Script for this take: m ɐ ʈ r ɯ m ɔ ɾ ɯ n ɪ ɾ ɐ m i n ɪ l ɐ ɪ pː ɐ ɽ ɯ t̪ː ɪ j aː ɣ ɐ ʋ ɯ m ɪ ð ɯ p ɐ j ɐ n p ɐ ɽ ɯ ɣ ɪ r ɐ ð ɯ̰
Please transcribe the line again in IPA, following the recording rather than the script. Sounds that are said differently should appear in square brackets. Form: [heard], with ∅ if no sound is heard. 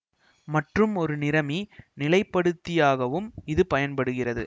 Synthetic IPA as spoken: m ɐ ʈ r ɯ m ɔ ɾ ɯ n ɪ ɾ ɐ m i n ɪ l ɐ ɪ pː ɐ ɽ ɯ t̪ː ɪ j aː ɣ ɐ ʋ ɯ m ɪ ð ɯ p ɐ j ɐ n p ɐ ɽ ɯ ɣ ɪ r ɐ ð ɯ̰